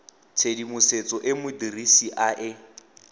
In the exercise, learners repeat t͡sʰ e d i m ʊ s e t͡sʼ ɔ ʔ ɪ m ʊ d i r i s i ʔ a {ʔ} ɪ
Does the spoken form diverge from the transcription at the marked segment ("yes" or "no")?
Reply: no